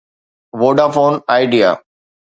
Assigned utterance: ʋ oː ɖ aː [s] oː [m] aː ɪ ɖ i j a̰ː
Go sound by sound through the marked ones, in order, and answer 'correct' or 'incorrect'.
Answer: incorrect, incorrect

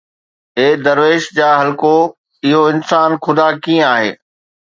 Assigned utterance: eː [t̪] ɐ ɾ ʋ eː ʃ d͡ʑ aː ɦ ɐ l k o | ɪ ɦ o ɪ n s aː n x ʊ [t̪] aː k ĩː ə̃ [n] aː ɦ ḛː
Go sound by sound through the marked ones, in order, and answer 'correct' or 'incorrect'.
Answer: incorrect, incorrect, incorrect

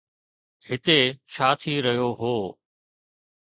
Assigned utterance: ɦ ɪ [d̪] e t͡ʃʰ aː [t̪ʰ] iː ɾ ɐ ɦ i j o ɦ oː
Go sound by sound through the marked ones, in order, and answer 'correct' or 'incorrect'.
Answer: incorrect, correct

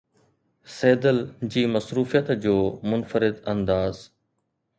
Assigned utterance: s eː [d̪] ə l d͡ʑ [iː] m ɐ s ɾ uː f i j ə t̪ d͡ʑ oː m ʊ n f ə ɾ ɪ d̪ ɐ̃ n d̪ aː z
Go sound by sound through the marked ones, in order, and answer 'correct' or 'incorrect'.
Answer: correct, correct

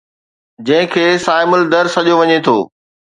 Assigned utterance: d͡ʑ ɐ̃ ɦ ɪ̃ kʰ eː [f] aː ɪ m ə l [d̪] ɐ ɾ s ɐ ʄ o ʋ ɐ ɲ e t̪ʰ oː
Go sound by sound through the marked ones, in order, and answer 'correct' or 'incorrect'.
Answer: incorrect, correct

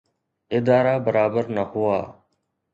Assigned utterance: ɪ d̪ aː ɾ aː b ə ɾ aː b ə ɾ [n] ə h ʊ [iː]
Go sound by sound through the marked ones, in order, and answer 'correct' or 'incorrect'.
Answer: correct, incorrect

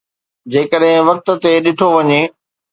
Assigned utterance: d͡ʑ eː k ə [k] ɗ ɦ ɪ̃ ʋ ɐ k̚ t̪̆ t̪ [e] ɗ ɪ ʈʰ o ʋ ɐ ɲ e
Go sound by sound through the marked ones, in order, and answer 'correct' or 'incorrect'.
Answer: incorrect, correct

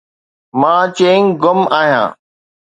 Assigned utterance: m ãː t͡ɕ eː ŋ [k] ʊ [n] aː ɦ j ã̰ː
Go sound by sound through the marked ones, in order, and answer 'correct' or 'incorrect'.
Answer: incorrect, incorrect

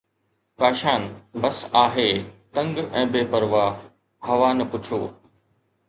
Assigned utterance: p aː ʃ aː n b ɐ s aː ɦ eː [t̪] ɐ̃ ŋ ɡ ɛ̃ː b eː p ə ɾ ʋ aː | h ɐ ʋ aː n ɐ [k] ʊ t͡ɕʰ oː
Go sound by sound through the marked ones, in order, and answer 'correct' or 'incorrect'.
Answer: correct, incorrect

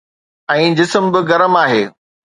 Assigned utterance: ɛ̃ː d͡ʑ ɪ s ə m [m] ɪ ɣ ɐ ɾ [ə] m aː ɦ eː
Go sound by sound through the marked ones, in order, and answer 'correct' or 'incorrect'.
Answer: incorrect, correct

